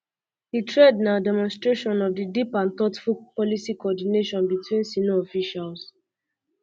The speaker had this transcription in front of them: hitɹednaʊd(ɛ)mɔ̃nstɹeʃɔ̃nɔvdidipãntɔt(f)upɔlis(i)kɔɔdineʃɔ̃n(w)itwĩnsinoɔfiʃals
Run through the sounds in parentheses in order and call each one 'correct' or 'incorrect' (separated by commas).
correct, correct, correct, incorrect